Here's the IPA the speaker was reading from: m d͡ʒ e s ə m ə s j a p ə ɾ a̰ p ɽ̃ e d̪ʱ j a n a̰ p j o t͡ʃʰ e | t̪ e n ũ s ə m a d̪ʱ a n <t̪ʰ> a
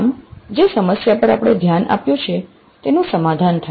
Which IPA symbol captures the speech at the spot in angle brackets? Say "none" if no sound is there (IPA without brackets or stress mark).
t̪ʰ